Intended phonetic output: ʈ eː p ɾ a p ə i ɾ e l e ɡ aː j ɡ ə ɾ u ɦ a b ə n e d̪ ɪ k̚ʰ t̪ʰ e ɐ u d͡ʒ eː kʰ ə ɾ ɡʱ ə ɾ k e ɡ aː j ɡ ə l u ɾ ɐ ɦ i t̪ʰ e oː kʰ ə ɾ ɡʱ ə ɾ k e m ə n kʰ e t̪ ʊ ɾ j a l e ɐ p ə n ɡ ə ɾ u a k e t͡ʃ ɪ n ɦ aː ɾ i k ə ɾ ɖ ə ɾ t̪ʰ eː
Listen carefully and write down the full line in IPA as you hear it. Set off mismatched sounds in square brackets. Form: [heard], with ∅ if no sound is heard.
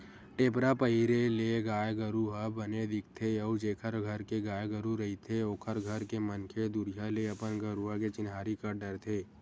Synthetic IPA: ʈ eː p ɾ a p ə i ɾ e l e ɡ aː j ɡ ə ɾ u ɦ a b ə n e d̪ ɪ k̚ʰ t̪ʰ e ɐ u d͡ʒ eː kʰ ə ɾ ɡʱ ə ɾ k e ɡ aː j ɡ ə [ɾ] u ɾ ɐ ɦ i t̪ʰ e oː kʰ ə ɾ ɡʱ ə ɾ k e m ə n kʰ e [d̪] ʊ ɾ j a l e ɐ p ə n ɡ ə ɾ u a k e t͡ʃ ɪ n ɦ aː ɾ i k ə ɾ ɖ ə ɾ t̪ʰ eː